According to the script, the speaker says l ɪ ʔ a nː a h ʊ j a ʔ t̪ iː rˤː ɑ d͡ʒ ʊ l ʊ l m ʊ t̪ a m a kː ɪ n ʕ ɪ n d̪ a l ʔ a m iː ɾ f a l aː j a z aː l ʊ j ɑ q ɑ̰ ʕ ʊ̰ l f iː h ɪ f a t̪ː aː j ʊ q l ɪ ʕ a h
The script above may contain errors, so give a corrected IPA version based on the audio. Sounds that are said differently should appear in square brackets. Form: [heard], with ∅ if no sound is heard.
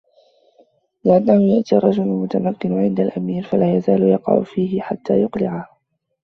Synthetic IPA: l ɪ ʔ a nː a h ʊ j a ʔ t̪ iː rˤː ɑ d͡ʒ ʊ l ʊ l m ʊ t̪ a m a kː ɪ n ʕ ɪ n d̪ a l ʔ a m iː ɾ f a l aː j a z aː l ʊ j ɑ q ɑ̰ ʕ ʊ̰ [∅] f iː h ɪ [ħ] a t̪ː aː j ʊ q l ɪ ʕ a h